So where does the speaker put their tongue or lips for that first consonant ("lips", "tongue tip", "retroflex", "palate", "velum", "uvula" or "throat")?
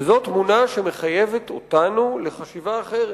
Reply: tongue tip